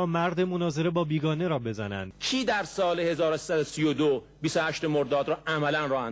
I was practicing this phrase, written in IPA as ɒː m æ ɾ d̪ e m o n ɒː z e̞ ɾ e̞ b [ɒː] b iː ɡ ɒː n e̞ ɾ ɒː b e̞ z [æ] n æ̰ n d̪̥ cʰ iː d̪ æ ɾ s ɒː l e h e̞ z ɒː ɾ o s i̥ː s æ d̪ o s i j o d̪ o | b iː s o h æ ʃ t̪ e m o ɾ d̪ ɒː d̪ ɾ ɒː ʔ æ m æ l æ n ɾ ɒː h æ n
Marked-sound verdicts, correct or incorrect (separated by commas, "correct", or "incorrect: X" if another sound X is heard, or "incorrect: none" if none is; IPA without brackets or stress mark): correct, correct